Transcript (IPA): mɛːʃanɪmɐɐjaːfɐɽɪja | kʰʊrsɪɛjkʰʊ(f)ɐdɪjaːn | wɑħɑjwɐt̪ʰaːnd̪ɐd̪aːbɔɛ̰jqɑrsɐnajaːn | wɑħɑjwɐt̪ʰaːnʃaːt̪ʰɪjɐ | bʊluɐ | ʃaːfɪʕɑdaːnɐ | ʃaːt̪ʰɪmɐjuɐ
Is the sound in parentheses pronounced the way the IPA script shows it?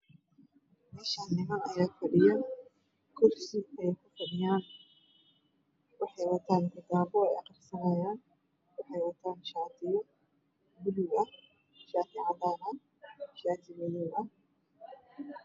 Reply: yes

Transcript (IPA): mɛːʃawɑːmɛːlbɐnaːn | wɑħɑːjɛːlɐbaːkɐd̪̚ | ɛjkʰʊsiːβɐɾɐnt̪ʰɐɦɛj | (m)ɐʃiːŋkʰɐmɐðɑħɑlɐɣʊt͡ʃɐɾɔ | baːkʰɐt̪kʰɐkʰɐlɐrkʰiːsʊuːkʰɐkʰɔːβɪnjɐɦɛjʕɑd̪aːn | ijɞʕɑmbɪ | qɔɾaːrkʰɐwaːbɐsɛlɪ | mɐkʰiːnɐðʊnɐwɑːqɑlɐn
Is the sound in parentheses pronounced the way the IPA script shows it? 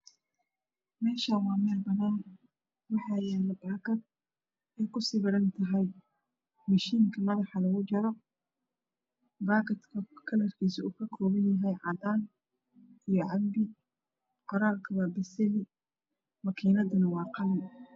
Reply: yes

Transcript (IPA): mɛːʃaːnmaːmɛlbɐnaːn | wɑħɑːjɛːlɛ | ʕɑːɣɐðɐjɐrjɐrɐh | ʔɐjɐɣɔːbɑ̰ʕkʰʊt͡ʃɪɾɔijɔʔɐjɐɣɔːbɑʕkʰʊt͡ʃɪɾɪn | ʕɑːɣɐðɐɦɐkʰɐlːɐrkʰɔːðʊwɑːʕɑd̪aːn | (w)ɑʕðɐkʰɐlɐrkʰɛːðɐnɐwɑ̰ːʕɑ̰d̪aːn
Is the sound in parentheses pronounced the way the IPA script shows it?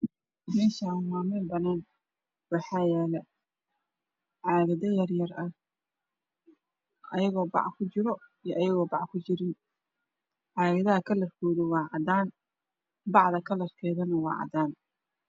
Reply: no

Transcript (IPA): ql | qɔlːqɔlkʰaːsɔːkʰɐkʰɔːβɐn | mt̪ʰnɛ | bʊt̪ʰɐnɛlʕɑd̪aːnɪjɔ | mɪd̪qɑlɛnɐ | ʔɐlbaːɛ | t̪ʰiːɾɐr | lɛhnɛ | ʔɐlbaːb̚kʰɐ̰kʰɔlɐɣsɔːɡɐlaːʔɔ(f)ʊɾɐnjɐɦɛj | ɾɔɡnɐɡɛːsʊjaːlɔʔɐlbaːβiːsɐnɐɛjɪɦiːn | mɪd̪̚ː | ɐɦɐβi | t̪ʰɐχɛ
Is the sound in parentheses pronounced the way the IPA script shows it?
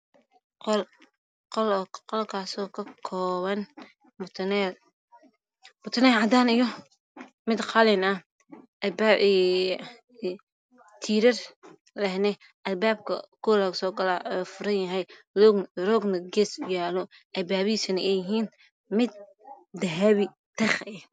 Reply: yes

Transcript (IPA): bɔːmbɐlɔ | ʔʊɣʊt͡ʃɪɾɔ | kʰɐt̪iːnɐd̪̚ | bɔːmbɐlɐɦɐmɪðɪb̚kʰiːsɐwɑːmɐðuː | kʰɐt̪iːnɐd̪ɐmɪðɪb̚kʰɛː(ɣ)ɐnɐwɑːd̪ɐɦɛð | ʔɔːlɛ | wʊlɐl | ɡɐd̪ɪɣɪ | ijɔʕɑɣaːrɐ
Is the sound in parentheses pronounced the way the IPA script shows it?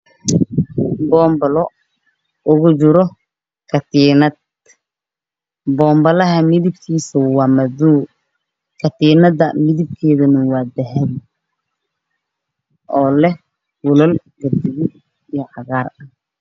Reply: no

